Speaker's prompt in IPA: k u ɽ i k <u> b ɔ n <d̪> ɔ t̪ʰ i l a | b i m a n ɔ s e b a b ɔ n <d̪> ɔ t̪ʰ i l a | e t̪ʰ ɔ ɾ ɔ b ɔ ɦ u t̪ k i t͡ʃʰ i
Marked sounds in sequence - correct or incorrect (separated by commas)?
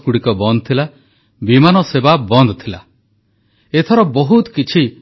incorrect, correct, correct